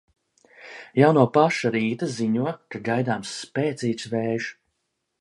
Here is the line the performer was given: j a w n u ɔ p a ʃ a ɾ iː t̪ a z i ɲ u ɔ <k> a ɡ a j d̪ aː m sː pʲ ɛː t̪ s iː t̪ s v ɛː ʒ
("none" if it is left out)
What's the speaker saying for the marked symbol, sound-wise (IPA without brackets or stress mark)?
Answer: k